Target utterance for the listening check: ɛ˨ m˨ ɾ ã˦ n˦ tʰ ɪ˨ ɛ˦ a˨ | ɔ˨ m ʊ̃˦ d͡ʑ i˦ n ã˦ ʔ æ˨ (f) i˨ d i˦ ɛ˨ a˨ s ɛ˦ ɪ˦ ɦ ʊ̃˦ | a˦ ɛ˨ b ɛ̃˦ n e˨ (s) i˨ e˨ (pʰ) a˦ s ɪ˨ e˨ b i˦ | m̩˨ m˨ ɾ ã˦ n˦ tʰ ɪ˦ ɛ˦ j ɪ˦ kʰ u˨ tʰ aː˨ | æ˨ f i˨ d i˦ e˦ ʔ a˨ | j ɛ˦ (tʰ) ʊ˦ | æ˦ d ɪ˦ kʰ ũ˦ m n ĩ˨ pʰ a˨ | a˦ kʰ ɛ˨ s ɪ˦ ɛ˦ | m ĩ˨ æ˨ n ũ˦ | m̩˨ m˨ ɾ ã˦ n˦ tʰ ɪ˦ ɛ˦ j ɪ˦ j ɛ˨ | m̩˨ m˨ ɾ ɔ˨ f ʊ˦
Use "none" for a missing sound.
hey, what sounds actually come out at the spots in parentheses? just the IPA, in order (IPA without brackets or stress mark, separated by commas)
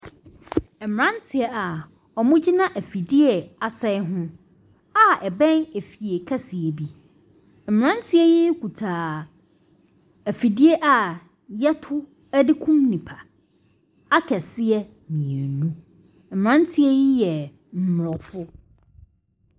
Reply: f, f, kʰ, tʰ